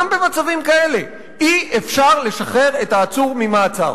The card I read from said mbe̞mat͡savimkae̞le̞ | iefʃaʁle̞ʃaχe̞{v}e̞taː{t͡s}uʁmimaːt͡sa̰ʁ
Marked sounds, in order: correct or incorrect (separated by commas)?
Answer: incorrect, correct